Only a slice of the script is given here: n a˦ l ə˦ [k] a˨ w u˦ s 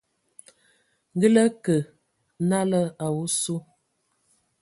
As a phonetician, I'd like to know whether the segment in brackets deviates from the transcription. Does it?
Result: yes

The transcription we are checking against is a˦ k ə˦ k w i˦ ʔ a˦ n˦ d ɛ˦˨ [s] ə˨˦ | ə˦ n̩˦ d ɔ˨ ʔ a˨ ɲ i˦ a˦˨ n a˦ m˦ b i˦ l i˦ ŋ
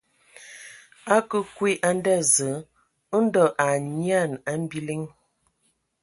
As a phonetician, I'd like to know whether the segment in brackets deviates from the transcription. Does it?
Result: yes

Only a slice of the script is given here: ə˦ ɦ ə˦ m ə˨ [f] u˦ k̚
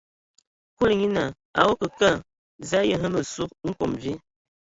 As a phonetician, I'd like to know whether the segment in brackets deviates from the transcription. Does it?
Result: yes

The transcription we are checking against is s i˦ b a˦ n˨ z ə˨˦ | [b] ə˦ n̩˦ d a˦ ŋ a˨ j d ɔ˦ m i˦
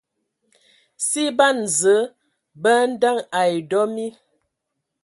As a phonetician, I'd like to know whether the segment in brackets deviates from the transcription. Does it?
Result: no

